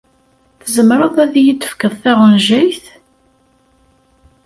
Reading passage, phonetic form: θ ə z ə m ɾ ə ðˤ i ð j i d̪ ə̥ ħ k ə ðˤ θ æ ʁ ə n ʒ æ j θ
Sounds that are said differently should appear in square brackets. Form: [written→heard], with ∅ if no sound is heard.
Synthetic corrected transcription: θ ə z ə m ɾ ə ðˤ [i→æ] ð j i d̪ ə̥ [ħ→f] k ə ðˤ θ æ ʁ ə n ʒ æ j θ